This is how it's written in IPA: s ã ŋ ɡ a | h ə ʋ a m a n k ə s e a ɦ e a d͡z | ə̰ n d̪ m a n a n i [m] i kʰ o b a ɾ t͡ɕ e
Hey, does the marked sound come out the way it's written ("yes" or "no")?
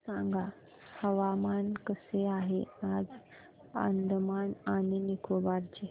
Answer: no